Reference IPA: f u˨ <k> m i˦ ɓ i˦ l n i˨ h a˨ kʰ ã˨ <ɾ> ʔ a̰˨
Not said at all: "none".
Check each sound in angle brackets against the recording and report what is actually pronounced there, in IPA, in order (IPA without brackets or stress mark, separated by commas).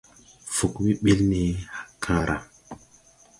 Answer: k, ɾ